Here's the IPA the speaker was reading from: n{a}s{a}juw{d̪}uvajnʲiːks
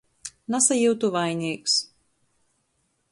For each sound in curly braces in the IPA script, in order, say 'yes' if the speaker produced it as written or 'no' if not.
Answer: yes, yes, no

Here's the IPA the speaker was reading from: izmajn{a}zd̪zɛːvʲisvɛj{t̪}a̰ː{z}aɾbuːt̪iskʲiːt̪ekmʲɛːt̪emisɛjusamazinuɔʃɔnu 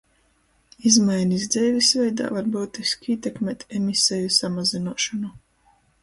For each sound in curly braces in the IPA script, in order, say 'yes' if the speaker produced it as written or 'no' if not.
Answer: no, no, no

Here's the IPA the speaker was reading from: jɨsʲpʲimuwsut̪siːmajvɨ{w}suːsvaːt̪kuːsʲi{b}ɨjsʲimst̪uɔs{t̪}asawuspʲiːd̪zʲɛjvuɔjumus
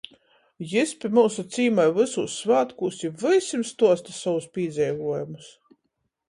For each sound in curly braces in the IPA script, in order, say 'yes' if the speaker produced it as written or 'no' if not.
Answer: no, no, yes

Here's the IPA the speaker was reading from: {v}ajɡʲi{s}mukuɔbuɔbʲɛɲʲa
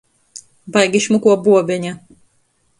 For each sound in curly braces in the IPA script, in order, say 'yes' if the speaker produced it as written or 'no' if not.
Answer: no, no

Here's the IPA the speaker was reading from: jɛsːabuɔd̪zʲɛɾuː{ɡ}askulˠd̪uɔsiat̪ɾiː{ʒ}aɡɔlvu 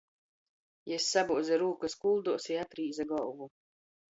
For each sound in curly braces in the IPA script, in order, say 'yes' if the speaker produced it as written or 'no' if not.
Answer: no, no

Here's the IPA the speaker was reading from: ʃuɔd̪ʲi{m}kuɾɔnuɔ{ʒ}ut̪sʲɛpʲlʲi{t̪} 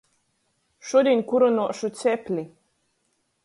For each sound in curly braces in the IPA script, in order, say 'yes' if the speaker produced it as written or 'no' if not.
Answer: no, no, no

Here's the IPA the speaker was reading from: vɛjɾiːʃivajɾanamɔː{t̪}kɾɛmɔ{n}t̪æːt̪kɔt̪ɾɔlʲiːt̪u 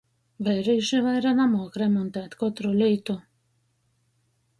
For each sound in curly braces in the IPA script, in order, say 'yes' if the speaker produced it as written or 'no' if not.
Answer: no, yes

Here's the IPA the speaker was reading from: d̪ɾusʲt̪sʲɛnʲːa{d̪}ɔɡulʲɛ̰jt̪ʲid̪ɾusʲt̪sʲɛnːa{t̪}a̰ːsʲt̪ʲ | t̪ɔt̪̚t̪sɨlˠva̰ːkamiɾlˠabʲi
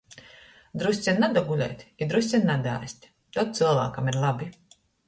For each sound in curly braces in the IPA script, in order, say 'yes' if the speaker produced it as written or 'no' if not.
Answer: yes, no

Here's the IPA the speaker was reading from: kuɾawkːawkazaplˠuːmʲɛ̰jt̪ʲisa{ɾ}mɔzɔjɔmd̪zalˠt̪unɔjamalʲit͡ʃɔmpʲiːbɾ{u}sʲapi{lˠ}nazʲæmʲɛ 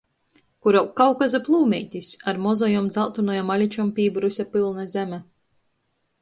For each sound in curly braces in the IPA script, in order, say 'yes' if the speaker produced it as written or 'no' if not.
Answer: yes, yes, yes

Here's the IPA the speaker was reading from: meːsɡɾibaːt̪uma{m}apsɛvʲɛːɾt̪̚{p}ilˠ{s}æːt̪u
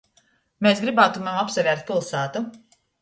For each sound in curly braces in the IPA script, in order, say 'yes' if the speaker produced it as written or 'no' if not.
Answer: yes, yes, yes

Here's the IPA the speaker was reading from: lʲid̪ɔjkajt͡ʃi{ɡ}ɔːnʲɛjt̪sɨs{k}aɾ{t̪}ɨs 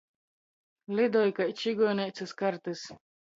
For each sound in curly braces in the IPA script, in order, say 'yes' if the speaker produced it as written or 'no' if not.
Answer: yes, yes, yes

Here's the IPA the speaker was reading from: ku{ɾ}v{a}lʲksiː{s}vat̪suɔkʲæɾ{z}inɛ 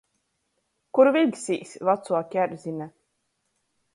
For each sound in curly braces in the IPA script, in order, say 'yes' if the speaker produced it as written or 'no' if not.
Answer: yes, no, yes, yes

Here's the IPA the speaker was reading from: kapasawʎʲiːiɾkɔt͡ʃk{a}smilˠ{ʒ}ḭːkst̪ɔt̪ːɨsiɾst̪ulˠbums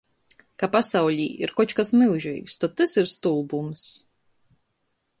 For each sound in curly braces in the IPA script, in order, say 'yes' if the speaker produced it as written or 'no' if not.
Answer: yes, yes

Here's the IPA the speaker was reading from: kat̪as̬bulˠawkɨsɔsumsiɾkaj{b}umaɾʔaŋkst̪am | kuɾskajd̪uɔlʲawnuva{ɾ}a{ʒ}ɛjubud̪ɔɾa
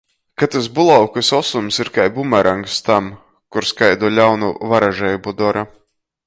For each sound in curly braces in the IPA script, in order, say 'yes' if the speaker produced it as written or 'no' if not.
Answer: yes, yes, yes

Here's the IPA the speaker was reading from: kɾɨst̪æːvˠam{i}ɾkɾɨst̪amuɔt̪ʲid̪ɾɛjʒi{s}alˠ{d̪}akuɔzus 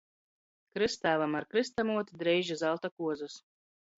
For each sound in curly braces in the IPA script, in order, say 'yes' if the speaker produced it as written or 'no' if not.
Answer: no, no, no

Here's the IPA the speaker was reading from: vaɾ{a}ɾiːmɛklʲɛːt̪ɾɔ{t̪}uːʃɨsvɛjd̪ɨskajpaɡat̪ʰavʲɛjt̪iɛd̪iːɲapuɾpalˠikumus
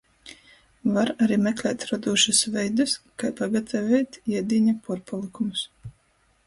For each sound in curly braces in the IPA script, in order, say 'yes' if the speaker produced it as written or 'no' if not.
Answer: yes, no

